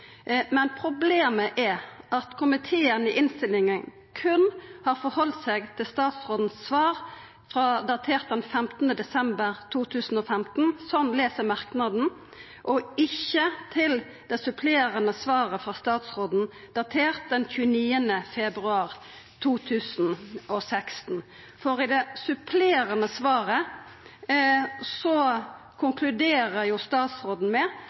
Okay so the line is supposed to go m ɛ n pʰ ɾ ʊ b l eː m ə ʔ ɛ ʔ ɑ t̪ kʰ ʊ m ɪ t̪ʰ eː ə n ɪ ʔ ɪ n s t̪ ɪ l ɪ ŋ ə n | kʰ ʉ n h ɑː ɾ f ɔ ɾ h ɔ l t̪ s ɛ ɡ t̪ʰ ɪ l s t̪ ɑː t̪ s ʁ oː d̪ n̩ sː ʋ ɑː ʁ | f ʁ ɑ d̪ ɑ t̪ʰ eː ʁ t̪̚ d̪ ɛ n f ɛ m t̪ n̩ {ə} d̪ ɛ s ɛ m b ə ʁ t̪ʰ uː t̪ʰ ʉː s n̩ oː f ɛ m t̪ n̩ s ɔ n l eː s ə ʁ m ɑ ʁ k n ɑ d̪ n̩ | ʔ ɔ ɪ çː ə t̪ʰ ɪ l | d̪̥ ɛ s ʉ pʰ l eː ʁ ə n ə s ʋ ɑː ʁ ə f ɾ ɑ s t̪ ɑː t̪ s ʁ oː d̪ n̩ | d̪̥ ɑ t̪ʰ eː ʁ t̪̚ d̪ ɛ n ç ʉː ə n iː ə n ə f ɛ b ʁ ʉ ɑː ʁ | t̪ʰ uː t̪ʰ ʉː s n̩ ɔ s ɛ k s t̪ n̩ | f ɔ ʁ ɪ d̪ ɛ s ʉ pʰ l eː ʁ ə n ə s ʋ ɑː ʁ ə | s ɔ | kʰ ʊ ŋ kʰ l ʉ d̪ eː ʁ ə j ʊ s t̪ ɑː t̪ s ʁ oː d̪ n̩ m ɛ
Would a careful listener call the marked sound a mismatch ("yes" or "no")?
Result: no